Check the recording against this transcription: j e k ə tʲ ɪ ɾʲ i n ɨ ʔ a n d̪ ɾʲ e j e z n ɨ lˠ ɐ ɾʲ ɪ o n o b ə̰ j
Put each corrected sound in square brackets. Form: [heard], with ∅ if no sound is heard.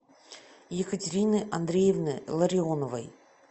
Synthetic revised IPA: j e k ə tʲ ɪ ɾʲ i n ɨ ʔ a n d̪ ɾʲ e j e [v] n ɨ lˠ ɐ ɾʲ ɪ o n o [v] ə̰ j